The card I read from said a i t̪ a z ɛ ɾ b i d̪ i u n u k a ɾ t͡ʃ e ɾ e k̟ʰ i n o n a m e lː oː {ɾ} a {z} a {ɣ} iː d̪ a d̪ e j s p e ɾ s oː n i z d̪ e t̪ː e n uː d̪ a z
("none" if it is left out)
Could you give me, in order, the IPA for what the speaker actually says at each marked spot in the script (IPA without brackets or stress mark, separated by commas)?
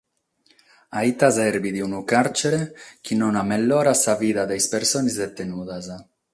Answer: ɾ, s, v